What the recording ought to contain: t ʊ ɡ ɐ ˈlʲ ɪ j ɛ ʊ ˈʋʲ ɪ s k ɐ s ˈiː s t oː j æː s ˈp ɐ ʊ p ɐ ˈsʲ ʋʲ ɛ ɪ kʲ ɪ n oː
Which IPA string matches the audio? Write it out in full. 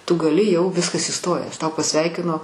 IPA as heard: t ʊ ɡ ɐ ˈlʲ ɪ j ɛ ʊ ˈʋʲ ɪ s k ɐ s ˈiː s t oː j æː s ˈt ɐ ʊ p ɐ ˈsʲ ʋʲ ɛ ɪ kʲ ɪ n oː